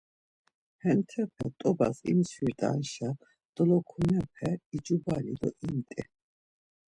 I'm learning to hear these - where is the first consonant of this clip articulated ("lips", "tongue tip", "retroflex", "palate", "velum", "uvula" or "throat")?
throat